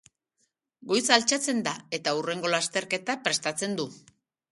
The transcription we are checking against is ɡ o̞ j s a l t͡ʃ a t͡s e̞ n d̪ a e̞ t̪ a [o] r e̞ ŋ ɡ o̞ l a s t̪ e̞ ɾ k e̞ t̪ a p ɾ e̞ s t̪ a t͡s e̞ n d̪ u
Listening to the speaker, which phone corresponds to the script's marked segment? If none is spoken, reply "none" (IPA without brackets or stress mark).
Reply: u